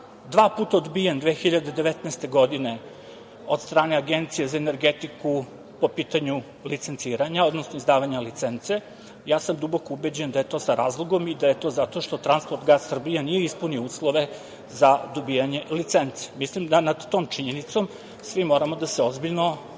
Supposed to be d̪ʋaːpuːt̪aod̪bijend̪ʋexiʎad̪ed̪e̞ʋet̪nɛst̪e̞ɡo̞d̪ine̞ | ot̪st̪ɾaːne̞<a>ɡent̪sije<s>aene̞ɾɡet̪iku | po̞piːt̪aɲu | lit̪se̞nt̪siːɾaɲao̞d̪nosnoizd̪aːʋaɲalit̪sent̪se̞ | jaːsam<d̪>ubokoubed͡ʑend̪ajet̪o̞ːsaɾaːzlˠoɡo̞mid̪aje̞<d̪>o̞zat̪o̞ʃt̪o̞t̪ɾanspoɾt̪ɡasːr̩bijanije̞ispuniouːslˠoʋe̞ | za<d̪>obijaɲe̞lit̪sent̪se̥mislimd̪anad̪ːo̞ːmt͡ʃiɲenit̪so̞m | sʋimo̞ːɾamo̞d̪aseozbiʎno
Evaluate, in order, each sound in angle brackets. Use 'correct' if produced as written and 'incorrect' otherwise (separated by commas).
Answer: correct, incorrect, correct, incorrect, correct